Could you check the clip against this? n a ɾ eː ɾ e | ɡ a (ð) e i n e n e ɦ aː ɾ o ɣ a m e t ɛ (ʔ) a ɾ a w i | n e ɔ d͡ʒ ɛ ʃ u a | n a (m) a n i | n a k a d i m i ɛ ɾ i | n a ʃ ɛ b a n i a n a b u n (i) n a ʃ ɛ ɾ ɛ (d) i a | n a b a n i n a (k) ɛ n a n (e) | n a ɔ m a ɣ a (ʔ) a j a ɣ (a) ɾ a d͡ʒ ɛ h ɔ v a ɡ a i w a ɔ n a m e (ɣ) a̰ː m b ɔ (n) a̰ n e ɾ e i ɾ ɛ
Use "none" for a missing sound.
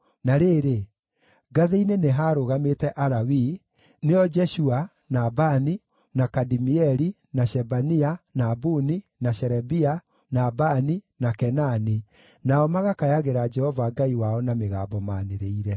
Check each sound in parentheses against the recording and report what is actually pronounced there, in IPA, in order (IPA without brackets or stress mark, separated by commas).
ð, ʔ, b, i, b, k, i, k, e, ɣ, m